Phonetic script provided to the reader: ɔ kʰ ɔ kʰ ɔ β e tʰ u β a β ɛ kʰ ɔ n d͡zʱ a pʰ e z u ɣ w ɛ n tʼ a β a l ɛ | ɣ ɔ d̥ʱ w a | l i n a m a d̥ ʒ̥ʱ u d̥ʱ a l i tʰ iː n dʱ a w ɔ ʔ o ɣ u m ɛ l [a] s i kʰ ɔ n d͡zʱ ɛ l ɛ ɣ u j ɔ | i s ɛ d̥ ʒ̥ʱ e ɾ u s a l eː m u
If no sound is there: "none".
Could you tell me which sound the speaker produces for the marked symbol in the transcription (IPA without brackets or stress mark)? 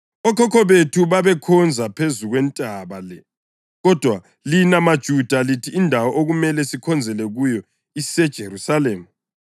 ɛ